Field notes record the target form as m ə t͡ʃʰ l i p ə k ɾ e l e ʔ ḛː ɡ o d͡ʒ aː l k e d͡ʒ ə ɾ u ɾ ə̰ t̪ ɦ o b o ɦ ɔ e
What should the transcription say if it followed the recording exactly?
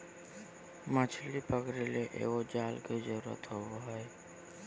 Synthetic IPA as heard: m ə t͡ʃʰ l i p ə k ɾ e l e ʔ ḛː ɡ o d͡ʒ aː l k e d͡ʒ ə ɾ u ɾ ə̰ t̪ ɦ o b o ɦ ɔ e